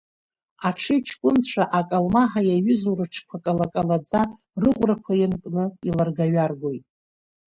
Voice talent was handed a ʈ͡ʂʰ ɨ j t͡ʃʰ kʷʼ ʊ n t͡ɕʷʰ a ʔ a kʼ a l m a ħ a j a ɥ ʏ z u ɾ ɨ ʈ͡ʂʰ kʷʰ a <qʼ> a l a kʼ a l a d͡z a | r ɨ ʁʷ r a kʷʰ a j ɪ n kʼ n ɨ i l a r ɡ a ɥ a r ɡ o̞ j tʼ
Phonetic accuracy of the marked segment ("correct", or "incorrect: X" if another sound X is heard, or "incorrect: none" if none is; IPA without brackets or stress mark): incorrect: kʼ